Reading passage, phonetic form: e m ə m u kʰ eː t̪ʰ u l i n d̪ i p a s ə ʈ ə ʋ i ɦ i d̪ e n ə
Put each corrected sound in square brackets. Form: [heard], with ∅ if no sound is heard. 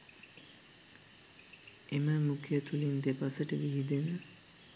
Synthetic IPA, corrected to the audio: e m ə m u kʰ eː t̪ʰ u l i n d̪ [e] p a s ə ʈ ə ʋ i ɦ i d̪ e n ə